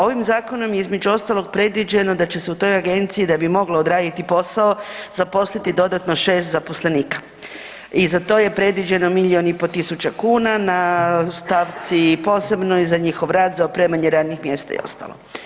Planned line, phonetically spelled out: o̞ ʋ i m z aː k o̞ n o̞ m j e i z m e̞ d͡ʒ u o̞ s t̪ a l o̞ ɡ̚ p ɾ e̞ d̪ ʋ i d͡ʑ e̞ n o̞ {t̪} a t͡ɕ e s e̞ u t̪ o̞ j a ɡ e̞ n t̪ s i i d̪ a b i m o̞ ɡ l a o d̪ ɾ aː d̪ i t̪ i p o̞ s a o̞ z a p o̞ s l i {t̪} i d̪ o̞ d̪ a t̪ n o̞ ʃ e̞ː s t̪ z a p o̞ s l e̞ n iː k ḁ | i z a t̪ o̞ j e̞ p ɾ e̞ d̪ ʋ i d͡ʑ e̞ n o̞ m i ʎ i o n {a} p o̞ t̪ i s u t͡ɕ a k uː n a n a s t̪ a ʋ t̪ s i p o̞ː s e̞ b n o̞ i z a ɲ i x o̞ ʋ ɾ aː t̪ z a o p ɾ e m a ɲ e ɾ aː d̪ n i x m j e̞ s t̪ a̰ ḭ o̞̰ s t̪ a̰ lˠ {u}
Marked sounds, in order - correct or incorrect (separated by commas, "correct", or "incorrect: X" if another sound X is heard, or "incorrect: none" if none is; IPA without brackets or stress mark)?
incorrect: d̪, correct, incorrect: i, incorrect: o